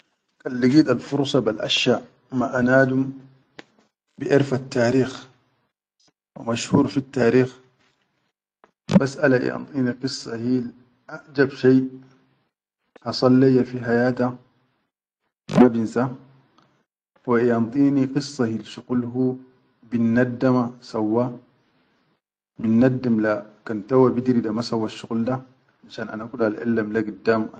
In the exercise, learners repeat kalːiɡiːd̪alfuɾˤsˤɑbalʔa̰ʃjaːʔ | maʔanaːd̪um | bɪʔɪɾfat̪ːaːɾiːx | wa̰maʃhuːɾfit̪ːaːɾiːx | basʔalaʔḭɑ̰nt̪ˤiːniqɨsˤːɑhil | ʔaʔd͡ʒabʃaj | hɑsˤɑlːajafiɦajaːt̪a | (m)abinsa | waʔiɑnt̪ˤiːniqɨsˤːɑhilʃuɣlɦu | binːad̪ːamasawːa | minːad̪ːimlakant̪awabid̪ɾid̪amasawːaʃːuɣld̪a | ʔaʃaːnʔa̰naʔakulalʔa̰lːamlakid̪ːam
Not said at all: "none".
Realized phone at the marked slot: m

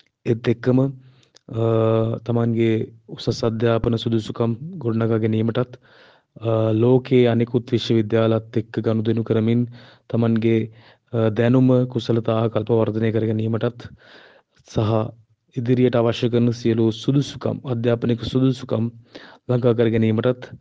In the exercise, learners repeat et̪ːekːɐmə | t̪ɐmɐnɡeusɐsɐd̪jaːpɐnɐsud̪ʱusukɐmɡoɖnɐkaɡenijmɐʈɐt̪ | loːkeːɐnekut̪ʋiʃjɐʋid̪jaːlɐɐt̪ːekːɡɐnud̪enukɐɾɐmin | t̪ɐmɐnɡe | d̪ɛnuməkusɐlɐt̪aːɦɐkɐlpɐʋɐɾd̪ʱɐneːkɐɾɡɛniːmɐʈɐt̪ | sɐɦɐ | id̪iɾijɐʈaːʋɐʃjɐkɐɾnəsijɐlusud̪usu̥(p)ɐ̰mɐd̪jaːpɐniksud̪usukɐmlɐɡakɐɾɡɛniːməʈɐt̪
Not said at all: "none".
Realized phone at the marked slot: k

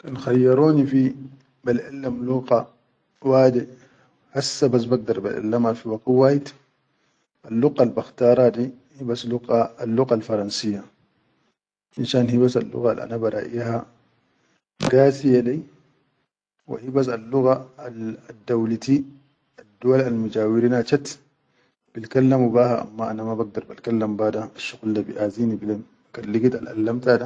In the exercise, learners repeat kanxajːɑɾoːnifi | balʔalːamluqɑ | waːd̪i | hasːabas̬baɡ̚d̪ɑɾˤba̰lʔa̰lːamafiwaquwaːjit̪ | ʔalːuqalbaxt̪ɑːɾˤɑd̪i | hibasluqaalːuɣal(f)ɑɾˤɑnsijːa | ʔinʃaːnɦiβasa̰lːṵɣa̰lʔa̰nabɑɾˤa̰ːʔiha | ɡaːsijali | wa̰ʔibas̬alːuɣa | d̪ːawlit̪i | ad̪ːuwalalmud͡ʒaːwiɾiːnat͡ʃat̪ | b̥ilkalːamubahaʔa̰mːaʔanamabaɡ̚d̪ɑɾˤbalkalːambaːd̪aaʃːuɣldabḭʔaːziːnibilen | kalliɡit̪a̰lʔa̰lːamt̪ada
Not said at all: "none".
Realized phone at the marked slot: f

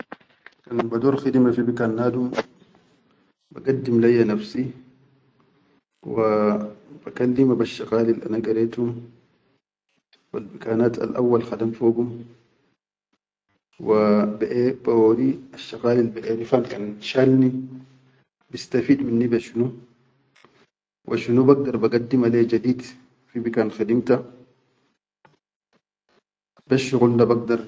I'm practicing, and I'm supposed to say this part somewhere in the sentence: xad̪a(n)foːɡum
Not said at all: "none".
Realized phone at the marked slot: m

